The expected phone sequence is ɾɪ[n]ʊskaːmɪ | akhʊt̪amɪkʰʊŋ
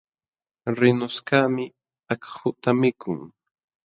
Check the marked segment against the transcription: correct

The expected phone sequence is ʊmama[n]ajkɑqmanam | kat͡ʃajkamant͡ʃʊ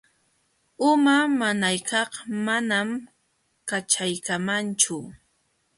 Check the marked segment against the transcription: correct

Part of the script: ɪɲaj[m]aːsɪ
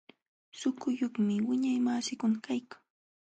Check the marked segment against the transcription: correct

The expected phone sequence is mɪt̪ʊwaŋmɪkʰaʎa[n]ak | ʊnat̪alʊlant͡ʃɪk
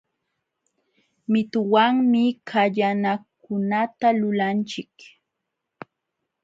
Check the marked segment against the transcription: correct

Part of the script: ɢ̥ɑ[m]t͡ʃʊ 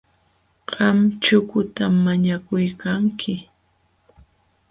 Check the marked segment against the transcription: correct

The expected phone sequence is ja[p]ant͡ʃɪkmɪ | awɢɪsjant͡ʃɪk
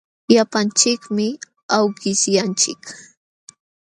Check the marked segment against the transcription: correct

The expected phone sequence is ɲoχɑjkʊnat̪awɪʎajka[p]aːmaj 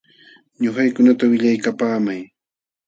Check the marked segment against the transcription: correct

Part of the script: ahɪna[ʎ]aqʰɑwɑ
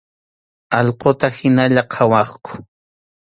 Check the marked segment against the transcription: correct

